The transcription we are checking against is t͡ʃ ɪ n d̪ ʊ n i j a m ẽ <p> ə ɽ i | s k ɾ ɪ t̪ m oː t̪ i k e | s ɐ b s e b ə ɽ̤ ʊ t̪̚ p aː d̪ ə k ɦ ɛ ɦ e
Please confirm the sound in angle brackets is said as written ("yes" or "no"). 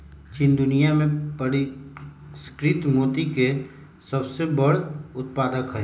yes